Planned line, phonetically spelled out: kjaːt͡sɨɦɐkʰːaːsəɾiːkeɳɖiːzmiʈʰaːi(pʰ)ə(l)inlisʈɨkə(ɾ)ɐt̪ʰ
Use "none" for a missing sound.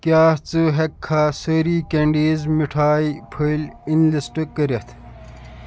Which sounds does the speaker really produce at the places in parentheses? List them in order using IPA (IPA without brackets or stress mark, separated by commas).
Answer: pʰ, l, ɾ